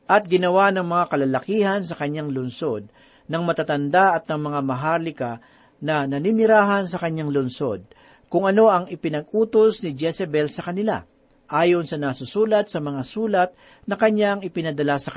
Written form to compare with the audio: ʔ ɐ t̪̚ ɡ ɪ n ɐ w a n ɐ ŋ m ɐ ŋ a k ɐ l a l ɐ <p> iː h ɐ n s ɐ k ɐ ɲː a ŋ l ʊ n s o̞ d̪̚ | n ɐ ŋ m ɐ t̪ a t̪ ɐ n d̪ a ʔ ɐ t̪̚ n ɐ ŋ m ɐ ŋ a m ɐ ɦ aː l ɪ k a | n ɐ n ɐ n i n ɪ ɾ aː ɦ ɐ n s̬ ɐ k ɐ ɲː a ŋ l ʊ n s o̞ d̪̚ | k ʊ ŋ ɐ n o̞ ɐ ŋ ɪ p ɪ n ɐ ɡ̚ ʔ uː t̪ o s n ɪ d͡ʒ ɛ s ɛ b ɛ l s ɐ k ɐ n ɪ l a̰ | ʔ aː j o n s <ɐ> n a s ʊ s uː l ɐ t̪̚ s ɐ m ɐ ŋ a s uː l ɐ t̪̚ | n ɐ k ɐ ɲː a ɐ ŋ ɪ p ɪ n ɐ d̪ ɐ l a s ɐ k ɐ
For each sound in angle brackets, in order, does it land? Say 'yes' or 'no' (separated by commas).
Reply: no, yes